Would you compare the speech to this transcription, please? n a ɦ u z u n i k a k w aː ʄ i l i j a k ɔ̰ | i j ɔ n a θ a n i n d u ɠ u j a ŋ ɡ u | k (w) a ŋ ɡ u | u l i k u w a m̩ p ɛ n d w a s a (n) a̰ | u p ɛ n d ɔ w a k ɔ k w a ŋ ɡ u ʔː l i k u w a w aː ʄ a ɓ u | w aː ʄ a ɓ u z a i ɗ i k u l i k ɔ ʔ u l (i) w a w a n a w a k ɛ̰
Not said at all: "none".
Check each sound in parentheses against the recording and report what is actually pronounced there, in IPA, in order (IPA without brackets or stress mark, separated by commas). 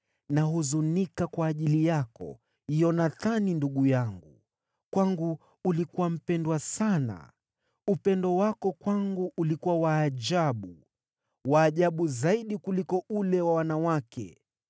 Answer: w, n, ɛ